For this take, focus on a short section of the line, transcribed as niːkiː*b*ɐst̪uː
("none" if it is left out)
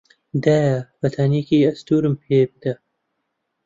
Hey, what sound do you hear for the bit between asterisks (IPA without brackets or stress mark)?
none